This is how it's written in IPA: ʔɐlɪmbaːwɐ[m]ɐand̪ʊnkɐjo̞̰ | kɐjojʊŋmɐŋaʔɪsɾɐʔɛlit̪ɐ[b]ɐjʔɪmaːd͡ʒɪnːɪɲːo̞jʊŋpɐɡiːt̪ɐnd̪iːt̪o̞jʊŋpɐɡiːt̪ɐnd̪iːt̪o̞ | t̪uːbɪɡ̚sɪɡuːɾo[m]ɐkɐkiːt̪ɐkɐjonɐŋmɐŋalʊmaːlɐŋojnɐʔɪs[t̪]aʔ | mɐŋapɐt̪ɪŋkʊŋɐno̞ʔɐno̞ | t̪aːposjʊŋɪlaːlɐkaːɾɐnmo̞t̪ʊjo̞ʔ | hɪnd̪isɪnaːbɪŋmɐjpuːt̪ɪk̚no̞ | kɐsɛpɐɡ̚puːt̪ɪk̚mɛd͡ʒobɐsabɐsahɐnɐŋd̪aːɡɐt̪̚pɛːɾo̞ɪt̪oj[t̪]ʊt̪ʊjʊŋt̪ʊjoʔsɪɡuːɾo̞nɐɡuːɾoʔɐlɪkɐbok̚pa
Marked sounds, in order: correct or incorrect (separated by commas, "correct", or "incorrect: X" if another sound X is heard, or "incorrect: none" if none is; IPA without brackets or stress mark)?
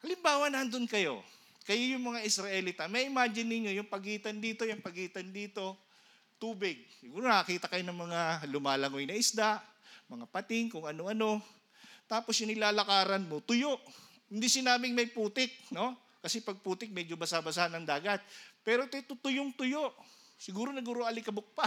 incorrect: n, incorrect: m, incorrect: n, incorrect: d̪, correct